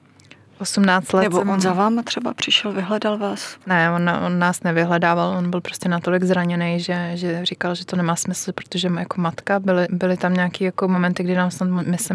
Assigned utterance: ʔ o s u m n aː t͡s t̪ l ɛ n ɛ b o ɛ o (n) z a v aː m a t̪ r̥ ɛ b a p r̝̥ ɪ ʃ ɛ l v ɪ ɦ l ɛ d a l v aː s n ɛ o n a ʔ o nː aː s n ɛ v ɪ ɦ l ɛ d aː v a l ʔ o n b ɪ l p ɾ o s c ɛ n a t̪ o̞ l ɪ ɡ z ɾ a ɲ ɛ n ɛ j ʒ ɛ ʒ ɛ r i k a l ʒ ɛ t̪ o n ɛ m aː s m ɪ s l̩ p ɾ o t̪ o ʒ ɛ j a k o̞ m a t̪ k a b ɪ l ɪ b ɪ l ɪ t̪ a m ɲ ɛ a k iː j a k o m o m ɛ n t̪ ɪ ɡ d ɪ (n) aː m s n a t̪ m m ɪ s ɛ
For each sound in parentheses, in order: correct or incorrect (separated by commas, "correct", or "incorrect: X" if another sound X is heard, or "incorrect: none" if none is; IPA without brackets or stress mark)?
correct, correct